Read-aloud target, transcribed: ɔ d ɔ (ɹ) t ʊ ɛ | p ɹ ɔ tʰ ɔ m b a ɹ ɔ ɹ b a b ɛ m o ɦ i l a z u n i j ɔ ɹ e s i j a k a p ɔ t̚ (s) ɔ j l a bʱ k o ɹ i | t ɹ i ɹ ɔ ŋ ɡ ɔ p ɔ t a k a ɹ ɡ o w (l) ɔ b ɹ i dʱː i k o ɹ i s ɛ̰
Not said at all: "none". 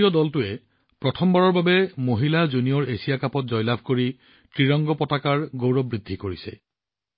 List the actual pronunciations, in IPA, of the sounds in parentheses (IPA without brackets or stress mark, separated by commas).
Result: l, z, ɹ